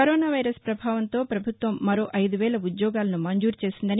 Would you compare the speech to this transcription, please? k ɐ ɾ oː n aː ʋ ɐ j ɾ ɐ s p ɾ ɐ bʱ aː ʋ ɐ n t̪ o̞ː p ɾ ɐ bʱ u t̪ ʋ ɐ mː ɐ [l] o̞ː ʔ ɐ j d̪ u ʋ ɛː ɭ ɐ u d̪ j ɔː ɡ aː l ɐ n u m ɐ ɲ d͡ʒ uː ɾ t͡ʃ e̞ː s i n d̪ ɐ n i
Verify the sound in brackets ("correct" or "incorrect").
incorrect